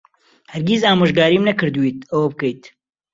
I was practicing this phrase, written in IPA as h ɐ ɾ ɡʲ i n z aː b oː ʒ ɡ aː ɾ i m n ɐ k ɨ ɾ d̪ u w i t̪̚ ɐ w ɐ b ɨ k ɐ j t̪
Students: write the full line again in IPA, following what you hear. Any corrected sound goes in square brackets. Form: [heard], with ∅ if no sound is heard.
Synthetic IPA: h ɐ ɾ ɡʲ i [∅] z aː [m] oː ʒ ɡ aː ɾ i m n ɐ k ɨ ɾ d̪ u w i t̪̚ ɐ w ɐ b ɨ k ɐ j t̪